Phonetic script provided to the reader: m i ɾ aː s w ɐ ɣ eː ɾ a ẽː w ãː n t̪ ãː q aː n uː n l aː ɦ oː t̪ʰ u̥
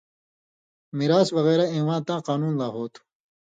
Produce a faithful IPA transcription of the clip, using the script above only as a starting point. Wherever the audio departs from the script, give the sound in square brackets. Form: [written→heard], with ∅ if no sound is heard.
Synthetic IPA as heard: m i ɾ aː s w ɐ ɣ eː ɾ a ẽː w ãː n t̪ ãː q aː n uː n l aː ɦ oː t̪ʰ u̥